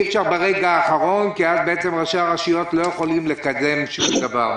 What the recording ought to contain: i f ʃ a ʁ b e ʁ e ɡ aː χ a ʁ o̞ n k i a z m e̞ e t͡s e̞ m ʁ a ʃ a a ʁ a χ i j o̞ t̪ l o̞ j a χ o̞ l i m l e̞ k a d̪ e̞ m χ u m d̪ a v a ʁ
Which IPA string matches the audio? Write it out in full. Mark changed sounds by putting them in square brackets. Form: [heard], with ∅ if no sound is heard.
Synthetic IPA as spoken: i f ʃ a ʁ b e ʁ e ɡ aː χ a ʁ o̞ n k i a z [b] e̞ e t͡s e̞ m ʁ a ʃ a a ʁ a [ʃ] i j o̞ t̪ l o̞ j [e] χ o̞ l i m l e̞ k a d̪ e̞ m [ʃ] u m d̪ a v a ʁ